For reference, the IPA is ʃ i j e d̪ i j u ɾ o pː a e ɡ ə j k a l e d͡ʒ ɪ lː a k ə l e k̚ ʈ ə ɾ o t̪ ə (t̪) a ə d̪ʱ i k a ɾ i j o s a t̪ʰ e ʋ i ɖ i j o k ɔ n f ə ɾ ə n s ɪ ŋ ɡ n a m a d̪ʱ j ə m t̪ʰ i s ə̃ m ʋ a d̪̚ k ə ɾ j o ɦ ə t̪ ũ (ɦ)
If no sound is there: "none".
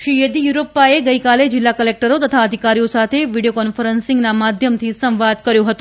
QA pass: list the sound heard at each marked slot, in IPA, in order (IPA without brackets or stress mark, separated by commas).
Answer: t̪ʰ, none